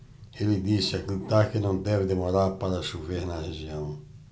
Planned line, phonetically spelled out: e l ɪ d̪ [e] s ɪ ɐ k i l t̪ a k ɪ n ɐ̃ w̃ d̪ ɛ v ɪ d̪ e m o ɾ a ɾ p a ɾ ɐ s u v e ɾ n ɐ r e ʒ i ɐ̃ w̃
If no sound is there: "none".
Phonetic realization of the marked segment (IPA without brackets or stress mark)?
i